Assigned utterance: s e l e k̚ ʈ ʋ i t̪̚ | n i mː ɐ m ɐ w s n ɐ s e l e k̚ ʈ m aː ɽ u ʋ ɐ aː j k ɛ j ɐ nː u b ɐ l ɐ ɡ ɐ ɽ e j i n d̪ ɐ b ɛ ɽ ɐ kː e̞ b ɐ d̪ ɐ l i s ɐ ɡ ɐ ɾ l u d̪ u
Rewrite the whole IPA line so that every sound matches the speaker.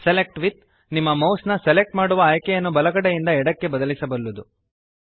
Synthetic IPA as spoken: s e l e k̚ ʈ ʋ i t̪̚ | n i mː ɐ m ɐ w s n ɐ s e l e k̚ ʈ m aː ɽ u ʋ ɐ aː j k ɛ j ɐ nː u b ɐ l ɐ ɡ ɐ ɽ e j i n d̪ ɐ ɛ ɽ ɐ kː e̞ b ɐ d̪ ɐ l i s ɐ b ɐ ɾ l u d̪ u